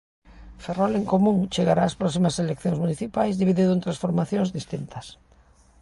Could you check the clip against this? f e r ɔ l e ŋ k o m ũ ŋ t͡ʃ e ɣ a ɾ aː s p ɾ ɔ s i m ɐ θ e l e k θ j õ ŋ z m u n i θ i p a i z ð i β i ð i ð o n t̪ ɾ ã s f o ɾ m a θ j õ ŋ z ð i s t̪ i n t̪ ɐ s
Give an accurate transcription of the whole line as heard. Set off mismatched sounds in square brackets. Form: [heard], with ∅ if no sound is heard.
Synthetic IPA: f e r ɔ l e ŋ k o m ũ ŋ t͡ʃ e ɣ a ɾ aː s p ɾ ɔ s i m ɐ [s] e l e k θ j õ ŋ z m u n i θ i p a [j] z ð i β i ð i ð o n t̪ ɾ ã s f o ɾ m a θ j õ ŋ z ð i s t̪ i n t̪ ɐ s